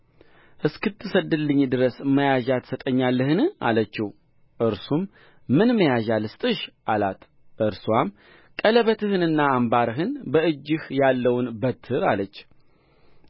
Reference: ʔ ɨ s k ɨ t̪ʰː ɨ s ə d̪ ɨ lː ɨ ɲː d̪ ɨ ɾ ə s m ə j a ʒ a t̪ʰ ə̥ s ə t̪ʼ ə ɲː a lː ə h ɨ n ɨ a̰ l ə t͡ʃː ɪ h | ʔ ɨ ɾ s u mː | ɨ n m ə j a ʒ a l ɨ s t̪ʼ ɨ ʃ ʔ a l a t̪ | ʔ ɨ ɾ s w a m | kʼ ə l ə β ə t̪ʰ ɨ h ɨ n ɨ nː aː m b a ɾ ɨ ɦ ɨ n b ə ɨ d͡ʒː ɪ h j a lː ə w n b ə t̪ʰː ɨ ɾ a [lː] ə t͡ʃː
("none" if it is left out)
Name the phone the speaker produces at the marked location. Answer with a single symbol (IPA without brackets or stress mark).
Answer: l